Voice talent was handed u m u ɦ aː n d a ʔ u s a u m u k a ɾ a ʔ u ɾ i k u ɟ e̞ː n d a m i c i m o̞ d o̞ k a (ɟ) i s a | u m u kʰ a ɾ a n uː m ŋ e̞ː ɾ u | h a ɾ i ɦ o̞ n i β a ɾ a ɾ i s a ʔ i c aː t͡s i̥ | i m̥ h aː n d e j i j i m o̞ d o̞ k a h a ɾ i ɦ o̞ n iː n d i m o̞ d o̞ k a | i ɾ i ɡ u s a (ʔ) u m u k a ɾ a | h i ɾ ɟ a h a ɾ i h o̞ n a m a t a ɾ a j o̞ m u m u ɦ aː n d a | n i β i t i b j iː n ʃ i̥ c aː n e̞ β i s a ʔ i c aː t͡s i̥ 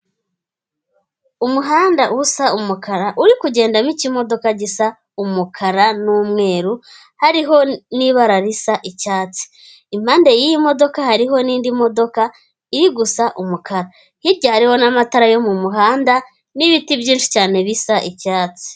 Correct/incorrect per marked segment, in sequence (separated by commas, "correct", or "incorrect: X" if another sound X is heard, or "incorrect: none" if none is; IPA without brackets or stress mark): correct, correct